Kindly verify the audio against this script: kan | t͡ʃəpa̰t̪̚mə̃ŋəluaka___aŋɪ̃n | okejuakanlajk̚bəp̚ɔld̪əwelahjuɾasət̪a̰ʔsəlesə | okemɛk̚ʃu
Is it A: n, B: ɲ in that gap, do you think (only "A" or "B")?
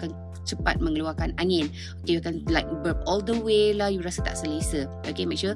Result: A